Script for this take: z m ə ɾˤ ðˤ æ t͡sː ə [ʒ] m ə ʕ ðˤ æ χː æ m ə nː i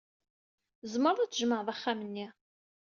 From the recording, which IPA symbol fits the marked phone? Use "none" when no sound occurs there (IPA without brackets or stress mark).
ʒ